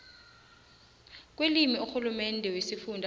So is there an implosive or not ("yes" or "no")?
no